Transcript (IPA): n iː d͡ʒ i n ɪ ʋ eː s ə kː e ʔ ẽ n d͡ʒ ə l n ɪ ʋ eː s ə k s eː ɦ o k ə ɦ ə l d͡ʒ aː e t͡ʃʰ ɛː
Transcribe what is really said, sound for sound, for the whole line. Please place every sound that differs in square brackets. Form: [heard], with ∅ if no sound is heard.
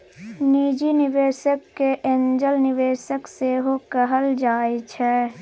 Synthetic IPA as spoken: n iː d͡ʒ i n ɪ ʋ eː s ə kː e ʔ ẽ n d͡ʒ ə l n ɪ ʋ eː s ə k s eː ɦ o k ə ɦ ə l d͡ʒ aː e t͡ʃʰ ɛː